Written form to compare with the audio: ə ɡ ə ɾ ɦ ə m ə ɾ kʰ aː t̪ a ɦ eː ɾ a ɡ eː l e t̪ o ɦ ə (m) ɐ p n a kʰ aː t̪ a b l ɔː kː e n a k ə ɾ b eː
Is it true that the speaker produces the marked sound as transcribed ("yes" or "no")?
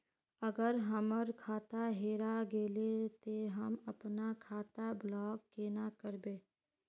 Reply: yes